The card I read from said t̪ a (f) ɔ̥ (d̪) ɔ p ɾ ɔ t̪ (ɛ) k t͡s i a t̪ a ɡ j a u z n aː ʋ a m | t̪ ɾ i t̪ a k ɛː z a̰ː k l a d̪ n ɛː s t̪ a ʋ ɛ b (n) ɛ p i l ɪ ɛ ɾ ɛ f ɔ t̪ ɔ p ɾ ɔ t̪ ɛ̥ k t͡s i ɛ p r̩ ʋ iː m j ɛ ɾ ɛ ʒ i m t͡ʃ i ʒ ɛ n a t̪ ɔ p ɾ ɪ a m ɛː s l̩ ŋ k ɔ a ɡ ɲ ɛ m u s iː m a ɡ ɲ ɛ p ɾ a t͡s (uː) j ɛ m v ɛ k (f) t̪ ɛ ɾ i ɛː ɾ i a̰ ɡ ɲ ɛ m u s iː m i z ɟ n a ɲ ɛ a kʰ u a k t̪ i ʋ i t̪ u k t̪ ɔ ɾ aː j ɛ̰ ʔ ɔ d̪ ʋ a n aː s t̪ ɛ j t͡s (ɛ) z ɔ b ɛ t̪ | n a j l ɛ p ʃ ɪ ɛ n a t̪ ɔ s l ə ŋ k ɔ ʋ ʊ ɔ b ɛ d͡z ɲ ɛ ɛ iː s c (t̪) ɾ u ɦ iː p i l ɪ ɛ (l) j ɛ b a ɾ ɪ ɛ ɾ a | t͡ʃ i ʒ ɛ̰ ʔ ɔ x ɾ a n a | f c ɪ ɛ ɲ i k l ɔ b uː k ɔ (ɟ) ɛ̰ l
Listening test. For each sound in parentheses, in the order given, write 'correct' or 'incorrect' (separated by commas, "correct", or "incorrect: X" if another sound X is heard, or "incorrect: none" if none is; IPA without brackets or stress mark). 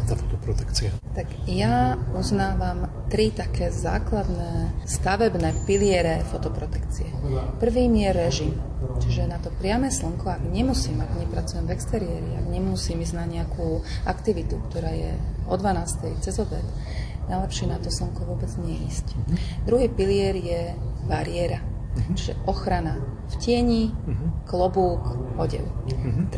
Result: correct, incorrect: t̪, correct, correct, incorrect: u, incorrect: s, correct, incorrect: d̪, incorrect: ɾ, correct